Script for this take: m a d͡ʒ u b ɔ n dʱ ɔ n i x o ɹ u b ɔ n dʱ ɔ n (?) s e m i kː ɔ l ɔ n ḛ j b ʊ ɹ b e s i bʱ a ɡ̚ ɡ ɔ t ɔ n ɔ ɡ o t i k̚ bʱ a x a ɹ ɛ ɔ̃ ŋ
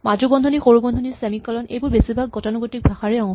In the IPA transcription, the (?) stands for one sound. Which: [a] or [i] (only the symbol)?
i